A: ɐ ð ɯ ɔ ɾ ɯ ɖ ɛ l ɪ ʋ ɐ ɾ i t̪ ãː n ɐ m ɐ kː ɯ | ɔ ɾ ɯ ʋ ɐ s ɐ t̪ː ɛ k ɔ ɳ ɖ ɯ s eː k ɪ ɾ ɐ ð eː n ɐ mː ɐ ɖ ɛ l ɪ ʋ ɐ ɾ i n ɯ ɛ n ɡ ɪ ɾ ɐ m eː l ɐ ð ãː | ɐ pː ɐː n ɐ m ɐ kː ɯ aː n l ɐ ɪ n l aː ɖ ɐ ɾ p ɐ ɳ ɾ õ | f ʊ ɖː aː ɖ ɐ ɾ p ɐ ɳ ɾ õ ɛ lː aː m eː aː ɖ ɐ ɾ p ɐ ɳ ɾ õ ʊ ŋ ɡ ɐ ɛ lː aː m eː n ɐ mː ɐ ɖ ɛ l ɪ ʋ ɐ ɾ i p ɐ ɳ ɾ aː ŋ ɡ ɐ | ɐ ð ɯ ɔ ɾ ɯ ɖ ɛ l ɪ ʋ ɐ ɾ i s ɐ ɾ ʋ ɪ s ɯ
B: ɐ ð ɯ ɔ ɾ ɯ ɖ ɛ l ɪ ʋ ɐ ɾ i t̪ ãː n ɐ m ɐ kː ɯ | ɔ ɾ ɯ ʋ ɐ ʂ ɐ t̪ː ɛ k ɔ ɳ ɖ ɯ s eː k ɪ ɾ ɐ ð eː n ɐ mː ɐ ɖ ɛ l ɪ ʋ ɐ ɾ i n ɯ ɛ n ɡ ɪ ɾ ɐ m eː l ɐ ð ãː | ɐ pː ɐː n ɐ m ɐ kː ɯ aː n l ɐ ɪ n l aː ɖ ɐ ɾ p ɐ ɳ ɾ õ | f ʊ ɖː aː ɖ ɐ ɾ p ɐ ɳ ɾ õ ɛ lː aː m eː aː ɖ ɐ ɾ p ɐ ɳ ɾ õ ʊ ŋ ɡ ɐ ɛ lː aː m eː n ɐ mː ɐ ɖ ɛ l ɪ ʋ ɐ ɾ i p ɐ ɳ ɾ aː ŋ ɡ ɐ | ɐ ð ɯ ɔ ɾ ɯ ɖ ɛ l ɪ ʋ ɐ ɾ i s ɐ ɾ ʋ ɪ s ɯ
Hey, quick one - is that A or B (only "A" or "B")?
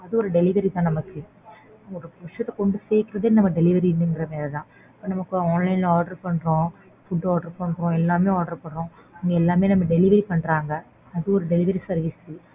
B